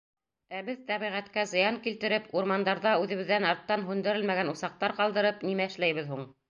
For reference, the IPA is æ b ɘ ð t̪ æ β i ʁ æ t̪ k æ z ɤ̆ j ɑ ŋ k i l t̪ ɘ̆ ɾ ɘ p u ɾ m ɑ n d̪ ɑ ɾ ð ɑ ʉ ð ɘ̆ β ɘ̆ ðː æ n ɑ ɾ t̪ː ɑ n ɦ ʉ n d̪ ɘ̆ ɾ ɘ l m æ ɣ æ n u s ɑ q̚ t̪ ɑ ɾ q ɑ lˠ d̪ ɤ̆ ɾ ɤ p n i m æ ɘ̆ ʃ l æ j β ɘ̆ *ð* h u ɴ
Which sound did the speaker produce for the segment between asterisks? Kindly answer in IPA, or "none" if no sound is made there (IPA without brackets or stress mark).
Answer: ð